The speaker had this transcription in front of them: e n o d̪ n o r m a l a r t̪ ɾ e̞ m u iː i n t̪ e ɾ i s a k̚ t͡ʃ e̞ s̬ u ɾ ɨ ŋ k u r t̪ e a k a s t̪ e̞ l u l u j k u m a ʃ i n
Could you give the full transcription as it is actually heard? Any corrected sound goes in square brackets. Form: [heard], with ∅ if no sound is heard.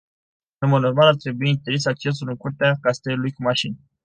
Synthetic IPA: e [m] o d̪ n o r m a l a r t̪ ɾ e̞ [b] u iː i n t̪ e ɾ i s a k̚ t͡ʃ e̞ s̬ u [l] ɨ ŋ k u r t̪ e a k a s t̪ e̞ l u l u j k u m a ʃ i n